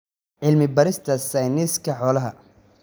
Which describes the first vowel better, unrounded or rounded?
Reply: unrounded